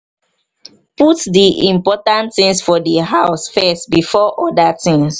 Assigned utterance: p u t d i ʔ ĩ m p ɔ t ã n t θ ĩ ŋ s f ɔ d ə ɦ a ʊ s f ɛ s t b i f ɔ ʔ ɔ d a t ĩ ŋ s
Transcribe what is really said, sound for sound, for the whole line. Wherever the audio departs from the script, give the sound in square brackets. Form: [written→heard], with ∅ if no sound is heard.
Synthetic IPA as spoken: p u t d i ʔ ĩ m p ɔ t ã n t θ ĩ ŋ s f ɔ d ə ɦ a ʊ s f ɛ s t b i f ɔ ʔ ɔ d a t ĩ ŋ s